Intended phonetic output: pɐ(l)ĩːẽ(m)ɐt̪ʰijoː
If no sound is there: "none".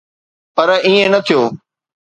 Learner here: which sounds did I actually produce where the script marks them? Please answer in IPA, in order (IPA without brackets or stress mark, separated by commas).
ɾ, n